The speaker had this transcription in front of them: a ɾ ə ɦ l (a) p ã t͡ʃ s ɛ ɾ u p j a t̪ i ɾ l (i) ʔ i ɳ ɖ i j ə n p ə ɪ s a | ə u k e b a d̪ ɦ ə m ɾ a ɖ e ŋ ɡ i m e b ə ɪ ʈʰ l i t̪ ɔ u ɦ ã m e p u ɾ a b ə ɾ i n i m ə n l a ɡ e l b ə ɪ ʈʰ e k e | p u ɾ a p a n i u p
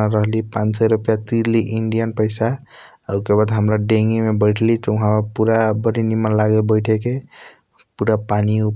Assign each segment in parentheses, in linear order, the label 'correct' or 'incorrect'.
incorrect: i, correct

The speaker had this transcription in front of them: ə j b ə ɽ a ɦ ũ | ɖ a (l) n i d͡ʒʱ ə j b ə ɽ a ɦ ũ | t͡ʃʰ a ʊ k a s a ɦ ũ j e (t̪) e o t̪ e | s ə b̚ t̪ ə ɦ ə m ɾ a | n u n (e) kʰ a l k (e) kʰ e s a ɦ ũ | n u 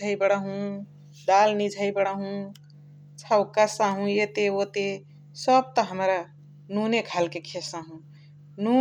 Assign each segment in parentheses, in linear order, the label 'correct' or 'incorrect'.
correct, correct, correct, correct

